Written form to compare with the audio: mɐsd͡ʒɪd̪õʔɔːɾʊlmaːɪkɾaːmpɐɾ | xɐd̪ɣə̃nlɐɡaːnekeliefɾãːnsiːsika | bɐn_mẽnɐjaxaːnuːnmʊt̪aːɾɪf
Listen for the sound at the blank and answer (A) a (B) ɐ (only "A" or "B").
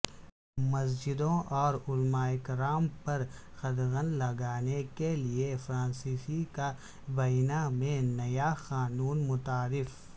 A